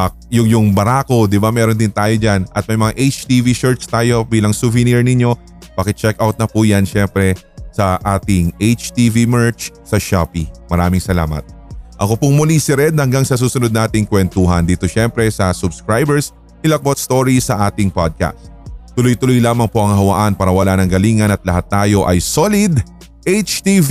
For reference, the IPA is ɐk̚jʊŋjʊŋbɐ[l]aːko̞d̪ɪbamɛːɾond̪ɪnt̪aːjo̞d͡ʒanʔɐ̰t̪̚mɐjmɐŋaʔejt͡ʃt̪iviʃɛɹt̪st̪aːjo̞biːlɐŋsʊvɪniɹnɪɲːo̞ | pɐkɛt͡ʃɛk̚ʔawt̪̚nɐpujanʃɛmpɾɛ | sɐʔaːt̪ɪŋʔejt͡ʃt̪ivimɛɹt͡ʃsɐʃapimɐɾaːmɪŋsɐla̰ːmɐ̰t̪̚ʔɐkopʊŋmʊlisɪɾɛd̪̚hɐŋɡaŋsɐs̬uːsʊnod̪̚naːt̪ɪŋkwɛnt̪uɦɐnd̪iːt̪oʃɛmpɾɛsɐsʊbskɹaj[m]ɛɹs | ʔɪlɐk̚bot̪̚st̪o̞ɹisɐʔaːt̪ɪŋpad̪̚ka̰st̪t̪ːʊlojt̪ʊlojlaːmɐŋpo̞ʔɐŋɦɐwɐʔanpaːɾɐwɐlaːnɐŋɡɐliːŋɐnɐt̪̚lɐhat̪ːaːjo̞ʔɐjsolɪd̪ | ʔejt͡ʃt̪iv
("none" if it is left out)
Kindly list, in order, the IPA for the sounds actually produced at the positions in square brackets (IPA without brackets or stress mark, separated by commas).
ɾ, b